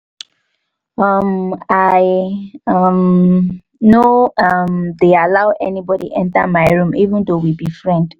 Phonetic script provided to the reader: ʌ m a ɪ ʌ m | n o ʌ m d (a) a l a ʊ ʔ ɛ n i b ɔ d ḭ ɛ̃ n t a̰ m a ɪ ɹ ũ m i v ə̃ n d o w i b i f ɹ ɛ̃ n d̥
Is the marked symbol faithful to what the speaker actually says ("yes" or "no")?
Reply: no